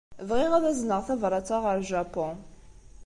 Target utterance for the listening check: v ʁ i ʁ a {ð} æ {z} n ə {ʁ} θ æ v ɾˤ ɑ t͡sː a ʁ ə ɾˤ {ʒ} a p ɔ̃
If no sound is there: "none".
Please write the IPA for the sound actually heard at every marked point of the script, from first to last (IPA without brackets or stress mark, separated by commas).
ð, z, ʁ, ʒ